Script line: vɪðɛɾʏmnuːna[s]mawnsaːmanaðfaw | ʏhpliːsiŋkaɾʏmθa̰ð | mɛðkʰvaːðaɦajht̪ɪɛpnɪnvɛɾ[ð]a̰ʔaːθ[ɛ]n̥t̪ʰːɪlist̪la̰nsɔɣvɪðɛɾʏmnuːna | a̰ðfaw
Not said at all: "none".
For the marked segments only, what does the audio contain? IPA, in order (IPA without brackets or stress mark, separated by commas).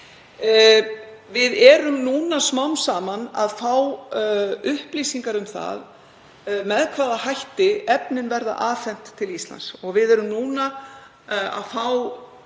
s, ð, ɛ